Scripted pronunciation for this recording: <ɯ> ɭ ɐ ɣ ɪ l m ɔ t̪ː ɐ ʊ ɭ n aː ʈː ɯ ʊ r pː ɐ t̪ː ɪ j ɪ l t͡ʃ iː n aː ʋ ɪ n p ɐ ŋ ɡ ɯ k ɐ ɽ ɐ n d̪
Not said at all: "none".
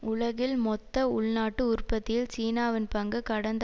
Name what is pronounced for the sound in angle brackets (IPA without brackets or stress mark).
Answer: ʊ